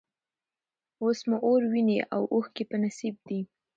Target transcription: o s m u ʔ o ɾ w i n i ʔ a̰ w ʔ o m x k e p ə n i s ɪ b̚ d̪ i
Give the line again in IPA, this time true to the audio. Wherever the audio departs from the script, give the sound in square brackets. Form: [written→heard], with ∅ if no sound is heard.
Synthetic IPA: o s m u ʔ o ɾ w i n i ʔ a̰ w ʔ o [m→∅] x k e p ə n [i→a] s [ɪ→i] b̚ d̪ i